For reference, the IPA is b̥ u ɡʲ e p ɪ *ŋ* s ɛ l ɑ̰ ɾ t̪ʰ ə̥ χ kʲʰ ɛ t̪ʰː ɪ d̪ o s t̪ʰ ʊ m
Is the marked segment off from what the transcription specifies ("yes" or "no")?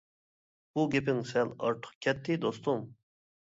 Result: no